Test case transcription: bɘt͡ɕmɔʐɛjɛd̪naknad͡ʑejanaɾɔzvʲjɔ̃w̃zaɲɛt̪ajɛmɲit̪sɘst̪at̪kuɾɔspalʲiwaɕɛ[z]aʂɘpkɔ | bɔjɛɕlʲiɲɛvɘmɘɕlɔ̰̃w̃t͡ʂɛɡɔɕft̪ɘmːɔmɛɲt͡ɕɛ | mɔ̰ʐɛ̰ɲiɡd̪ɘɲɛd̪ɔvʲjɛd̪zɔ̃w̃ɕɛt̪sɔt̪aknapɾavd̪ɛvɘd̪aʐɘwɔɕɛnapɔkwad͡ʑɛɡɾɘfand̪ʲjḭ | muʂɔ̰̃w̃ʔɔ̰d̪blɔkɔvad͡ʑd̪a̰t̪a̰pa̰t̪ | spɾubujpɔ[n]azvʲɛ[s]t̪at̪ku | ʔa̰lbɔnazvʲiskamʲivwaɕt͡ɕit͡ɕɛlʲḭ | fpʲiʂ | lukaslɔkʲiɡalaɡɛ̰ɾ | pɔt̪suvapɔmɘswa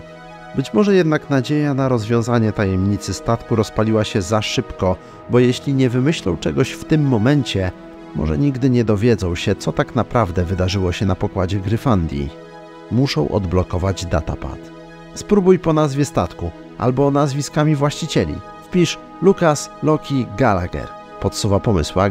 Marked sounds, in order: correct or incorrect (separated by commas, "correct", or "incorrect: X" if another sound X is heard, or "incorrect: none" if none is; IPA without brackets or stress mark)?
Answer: correct, correct, correct